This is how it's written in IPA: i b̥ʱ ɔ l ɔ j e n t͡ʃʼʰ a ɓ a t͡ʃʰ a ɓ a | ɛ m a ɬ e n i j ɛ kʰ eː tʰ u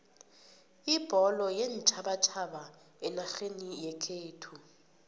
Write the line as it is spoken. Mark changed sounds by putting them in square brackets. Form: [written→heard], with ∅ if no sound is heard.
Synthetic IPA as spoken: i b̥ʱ ɔ l ɔ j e n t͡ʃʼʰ a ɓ a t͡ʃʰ a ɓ a | ɛ [m→n] a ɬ e n i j ɛ kʰ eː tʰ u